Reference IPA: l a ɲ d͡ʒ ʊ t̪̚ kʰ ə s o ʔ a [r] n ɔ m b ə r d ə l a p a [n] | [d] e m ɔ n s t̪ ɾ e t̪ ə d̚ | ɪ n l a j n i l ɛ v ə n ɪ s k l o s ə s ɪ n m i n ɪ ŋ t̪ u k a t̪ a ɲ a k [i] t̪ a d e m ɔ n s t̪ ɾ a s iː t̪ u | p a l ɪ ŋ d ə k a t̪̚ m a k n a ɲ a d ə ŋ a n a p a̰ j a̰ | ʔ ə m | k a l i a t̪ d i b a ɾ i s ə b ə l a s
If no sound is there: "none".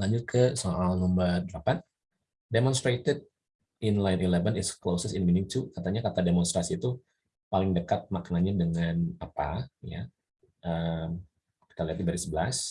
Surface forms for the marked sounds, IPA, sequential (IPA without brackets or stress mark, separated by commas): l, n, d, a